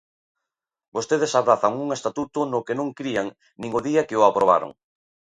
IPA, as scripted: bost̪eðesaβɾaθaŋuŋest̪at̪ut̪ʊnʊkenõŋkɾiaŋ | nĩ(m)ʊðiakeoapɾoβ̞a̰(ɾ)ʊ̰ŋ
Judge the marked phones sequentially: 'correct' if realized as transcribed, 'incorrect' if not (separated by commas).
incorrect, correct